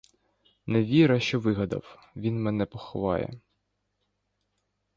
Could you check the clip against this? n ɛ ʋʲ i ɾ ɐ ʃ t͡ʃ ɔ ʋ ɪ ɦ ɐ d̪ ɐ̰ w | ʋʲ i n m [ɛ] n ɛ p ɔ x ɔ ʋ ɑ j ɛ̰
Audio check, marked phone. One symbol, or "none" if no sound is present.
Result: ɛ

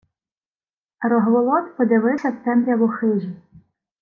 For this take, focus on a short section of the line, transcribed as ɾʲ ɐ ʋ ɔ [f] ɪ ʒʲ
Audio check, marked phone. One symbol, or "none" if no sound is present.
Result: x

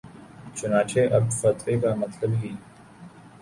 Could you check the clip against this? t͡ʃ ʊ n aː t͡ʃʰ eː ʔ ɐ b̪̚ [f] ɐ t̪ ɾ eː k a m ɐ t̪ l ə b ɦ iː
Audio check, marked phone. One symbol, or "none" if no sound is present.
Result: f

